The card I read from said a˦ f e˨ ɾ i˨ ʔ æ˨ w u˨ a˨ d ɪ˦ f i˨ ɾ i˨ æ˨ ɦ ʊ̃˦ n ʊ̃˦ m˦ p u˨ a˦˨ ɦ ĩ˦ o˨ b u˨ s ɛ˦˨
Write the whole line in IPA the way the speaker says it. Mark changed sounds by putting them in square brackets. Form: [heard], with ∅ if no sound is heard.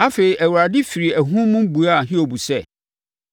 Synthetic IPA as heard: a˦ f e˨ ɾ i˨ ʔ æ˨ w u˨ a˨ d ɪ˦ f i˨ ɾ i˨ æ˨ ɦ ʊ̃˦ [m] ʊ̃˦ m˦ [b] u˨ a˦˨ ɦ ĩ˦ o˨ b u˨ s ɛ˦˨